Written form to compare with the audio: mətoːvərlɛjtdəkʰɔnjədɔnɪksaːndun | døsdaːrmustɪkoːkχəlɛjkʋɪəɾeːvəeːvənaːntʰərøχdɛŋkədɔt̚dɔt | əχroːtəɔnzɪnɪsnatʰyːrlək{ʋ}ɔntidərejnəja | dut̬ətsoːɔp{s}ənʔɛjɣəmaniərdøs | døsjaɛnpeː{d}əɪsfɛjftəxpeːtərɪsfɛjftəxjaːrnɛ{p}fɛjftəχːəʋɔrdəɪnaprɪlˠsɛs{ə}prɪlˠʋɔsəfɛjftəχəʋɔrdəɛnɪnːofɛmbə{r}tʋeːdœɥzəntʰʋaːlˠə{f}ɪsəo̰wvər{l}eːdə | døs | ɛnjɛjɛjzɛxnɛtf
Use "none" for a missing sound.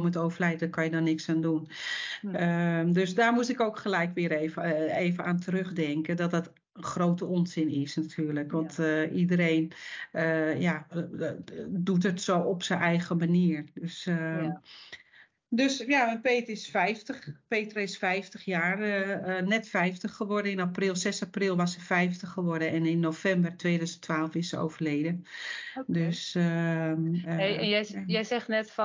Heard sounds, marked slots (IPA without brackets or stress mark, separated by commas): ʋ, s, t, t, a, r, f, l